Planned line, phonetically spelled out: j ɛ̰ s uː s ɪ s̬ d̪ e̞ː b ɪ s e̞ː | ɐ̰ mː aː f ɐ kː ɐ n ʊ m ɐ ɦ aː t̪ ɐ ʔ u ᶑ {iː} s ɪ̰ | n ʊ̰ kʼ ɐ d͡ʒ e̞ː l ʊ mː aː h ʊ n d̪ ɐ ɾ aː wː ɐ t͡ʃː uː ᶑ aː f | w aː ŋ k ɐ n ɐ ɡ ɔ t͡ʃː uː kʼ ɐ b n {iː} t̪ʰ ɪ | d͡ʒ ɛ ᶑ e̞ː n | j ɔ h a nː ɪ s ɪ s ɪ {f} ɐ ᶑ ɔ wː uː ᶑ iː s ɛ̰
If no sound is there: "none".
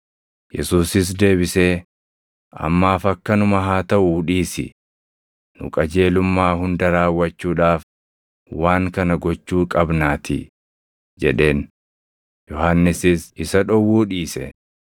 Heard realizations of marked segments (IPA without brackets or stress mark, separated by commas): iː, aː, s